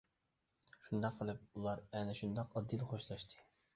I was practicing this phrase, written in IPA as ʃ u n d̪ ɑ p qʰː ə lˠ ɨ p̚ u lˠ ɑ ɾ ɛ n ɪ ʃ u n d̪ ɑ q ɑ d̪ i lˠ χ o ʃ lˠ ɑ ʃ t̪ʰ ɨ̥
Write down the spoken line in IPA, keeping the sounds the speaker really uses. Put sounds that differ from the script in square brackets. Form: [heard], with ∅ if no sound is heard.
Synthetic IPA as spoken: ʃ u n d̪ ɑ [q] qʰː ə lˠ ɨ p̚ u lˠ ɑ ɾ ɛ n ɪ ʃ u n d̪ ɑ q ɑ d̪ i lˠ χ o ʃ lˠ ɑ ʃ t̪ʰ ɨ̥